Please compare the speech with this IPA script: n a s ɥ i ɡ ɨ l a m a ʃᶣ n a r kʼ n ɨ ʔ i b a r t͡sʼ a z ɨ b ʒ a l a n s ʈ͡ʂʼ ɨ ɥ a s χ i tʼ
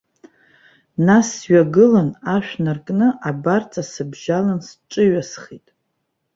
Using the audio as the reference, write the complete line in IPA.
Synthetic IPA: n a s ɥ a ɡ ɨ l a n a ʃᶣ n a r kʼ n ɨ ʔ a b a r t͡sʼ a s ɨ b ʒ a l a n s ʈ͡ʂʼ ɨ ɥ a s χ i tʼ

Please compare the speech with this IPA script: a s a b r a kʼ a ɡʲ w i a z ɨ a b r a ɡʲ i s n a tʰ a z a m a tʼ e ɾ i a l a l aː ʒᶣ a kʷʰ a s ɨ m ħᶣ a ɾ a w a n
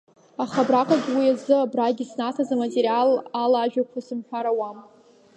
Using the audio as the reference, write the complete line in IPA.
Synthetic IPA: a χ a b r a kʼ a ɡʲ w i a z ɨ a b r a ɡʲ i s n a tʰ a z a m a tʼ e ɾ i a l a l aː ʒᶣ a kʷʰ a s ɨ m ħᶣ a ɾ a w a m

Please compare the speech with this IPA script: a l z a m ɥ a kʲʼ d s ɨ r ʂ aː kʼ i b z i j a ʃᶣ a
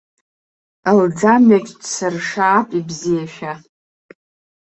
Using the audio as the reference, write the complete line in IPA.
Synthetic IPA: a l d͡z a m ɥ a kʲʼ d s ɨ r ʂ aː pʼ i b z i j a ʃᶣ a

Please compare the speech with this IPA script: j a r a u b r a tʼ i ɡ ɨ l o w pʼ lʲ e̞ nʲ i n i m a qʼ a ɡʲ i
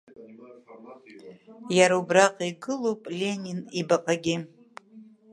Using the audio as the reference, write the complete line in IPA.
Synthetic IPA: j a ɾ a u b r a qʼ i ɡ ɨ l o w pʼ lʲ e̞ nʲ i n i b a qʼ a ɡʲ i

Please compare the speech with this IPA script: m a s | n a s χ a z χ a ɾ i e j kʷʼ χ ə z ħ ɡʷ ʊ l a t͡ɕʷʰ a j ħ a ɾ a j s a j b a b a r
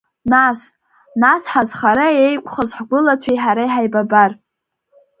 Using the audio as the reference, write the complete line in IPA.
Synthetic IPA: n a s | n a s ħ a z χ a ɾ a e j kʷʼ χ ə z ħ ɡʷ ʊ l a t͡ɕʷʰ a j ħ a ɾ a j ħ a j b a b a r

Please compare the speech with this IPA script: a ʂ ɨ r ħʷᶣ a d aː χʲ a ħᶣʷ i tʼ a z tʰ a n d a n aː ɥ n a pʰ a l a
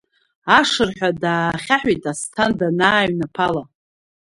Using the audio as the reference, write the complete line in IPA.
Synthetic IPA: a ʂ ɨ r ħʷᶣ a d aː χʲ a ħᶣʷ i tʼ a s tʰ a n d a n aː ɥ n a pʰ a l a

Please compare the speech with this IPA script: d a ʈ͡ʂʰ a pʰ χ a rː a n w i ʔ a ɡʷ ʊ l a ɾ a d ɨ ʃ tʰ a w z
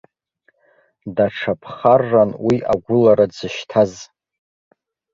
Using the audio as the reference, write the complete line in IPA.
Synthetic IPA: d a ʈ͡ʂʰ a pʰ χ a rː a n w i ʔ a ɡʷ ʊ l a ɾ a d͡z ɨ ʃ tʰ a z

